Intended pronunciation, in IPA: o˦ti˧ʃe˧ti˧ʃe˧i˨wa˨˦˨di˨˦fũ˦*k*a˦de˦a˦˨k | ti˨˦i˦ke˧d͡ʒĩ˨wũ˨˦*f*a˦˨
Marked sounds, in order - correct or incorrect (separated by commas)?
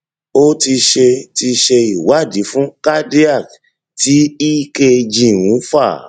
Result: correct, correct